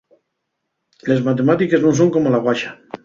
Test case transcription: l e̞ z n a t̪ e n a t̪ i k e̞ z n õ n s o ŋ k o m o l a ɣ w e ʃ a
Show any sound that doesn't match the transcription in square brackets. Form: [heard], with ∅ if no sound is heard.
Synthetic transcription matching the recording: l e̞ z [m] a t̪ e [m] a t̪ i k e̞ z n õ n s o ŋ k o m o l a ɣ w [a] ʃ a